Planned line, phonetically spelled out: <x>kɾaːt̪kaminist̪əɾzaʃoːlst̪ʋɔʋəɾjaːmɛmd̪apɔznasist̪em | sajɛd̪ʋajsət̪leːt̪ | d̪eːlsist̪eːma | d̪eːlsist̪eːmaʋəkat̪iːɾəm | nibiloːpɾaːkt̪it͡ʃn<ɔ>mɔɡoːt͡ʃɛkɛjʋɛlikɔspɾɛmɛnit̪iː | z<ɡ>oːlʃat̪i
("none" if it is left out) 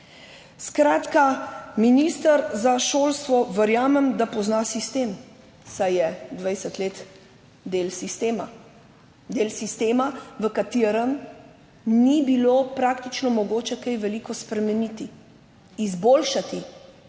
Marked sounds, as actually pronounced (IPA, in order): s, ɔ, b

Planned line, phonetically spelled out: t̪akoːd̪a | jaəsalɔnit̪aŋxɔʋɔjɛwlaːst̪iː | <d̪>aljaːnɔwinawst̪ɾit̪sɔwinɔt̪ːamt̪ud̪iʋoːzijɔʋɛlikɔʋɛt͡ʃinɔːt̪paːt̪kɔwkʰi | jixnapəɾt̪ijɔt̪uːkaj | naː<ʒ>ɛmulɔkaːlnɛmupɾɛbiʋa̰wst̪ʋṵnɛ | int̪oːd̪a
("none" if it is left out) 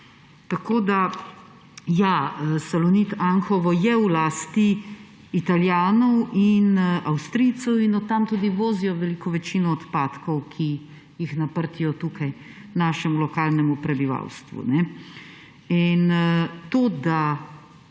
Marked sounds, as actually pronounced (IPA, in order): t̪, ʃ

